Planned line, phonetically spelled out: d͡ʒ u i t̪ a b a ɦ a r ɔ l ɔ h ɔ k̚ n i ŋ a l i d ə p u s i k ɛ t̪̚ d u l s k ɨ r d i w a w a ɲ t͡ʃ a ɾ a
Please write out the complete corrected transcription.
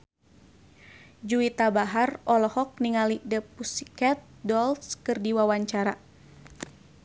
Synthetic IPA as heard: d͡ʒ u i t̪ a b a ɦ a r ɔ l ɔ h ɔ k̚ n i ŋ a l i d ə p u s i k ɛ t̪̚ d ɔ l s k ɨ r d i w a w a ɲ t͡ʃ a ɾ a